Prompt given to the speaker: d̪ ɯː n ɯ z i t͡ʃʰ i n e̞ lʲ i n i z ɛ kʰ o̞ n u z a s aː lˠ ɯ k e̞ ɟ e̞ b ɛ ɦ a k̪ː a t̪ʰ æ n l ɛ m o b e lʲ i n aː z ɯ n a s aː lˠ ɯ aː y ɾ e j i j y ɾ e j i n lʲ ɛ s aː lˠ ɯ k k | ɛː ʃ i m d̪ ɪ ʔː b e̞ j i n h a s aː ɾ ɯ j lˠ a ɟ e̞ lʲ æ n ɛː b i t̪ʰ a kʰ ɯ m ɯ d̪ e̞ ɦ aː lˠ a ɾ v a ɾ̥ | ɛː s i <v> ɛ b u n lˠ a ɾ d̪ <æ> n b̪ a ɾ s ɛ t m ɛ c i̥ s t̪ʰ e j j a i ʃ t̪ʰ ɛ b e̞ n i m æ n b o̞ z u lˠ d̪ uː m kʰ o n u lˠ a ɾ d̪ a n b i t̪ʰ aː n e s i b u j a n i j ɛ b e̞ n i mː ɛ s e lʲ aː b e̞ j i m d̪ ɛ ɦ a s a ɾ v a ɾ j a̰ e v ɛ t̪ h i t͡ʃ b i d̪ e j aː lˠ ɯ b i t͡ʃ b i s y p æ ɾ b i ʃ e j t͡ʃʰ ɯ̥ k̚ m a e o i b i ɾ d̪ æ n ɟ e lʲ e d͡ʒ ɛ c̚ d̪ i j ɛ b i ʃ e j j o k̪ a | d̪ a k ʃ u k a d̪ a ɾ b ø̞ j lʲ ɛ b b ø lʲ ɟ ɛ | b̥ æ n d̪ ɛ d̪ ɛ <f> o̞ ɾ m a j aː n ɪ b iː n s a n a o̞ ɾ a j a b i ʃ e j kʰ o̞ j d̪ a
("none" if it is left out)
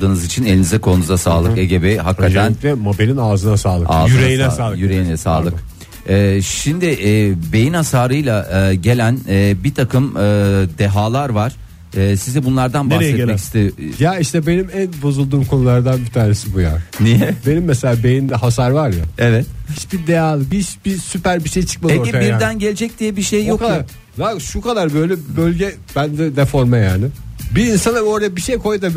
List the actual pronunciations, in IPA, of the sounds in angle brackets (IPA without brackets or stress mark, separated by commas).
z, a, f